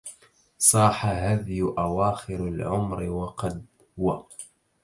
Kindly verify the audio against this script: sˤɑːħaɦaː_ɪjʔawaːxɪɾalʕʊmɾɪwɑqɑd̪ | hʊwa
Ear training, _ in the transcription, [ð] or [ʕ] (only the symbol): ð